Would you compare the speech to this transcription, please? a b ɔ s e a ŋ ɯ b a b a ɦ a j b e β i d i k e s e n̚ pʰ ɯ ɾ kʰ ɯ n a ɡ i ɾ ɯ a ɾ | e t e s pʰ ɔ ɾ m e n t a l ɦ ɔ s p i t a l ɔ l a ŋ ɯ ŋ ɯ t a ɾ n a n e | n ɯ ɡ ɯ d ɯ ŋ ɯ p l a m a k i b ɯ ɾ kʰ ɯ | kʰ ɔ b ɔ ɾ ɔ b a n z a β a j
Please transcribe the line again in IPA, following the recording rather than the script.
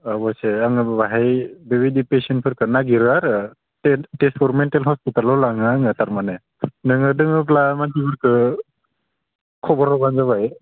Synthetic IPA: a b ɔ s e a ŋ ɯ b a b a ɦ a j b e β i d i p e s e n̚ pʰ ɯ ɾ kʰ ɯ n a ɡ i ɾ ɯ a ɾ | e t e s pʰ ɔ ɾ m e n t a l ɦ ɔ s p i t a l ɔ l a ŋ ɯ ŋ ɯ t a ɾ m a n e | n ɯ ŋ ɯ d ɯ ŋ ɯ p l a m a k i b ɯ ɾ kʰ ɯ | kʰ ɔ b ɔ ɾ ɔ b a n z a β a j